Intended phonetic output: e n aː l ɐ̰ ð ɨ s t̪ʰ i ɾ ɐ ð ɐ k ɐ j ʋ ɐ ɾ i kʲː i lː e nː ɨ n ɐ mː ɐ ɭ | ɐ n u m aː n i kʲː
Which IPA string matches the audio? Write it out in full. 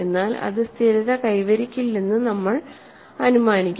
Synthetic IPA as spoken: e nː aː l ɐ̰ ð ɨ s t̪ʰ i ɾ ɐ ð ɐ k ɐ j ʋ ɐ ɾ i kʲː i lː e nː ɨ n ɐ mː ɐ ɭ | ɐ n u m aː n i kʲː